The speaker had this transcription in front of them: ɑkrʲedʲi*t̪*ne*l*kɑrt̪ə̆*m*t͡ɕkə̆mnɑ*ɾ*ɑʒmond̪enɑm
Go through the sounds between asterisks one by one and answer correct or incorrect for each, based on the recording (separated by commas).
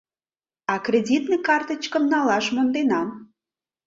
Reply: correct, incorrect, incorrect, incorrect